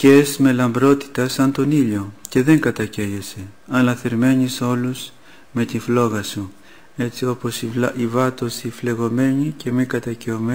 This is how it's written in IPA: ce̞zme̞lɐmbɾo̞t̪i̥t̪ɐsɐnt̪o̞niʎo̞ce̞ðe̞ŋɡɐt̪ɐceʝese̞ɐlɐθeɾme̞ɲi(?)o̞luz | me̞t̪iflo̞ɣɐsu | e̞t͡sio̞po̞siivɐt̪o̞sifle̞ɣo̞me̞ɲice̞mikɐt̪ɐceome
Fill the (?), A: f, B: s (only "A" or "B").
B